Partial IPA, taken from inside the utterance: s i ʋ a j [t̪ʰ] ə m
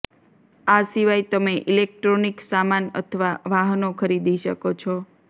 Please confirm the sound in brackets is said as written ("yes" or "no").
no